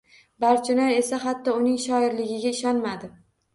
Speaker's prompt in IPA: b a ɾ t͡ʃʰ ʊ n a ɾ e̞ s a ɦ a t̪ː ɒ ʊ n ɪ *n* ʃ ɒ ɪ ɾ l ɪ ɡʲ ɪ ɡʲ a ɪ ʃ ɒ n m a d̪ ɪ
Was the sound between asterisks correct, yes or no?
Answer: no